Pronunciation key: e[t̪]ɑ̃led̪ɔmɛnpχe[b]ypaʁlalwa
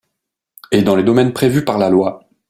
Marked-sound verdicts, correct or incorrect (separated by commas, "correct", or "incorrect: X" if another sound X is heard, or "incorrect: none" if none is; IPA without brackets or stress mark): incorrect: d̪, incorrect: v